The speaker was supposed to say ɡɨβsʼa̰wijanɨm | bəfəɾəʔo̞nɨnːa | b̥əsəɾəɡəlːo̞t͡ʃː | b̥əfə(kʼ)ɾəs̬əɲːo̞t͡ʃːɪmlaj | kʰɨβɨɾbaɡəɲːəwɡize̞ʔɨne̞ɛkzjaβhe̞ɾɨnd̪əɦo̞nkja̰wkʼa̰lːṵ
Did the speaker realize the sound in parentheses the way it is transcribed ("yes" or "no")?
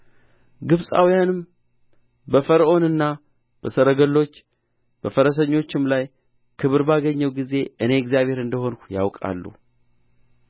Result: no